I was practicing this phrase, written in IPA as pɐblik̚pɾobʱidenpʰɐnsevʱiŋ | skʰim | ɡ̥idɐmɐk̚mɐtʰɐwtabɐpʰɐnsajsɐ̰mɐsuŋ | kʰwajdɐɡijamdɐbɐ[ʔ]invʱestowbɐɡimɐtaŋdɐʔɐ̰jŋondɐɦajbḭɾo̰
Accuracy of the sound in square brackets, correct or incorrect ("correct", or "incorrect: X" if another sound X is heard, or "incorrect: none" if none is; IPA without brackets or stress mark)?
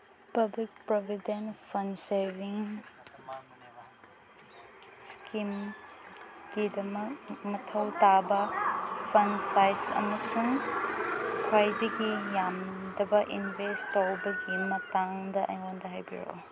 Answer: correct